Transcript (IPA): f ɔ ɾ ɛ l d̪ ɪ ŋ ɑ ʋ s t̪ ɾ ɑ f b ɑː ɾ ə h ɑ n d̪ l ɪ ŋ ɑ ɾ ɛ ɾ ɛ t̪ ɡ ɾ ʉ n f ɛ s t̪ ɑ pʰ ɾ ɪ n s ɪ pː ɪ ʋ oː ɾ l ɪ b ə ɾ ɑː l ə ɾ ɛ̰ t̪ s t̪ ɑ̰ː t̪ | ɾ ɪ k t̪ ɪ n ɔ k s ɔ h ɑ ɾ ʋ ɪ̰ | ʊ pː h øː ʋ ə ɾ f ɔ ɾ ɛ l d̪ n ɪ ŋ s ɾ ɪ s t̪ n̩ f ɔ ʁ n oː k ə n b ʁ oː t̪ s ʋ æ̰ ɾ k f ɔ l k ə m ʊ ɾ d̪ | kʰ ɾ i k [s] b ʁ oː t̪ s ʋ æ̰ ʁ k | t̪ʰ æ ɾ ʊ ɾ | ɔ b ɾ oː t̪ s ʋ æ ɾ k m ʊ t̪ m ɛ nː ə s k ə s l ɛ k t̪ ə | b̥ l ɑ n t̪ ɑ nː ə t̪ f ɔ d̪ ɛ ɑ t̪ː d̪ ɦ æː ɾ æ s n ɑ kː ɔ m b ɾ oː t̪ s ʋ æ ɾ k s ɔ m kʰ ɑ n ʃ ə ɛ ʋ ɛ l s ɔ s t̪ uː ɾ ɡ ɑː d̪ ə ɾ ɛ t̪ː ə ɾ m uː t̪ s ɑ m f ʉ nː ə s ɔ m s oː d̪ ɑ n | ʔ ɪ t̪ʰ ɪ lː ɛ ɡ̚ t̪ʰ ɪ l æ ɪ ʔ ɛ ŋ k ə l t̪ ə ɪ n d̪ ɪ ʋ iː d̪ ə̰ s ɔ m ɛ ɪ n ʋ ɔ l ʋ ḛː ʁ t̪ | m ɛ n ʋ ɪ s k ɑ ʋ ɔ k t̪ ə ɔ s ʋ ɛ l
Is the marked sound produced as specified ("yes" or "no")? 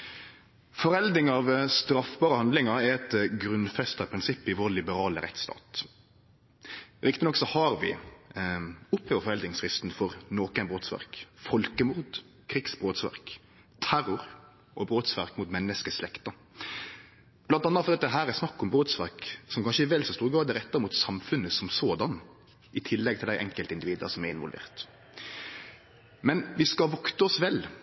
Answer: yes